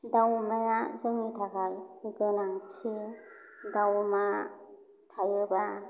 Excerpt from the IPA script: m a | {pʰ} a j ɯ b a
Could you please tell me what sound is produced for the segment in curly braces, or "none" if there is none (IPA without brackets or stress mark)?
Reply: tʰ